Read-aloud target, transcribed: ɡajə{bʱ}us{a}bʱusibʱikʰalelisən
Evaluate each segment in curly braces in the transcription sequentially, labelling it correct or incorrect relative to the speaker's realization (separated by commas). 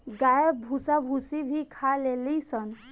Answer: correct, correct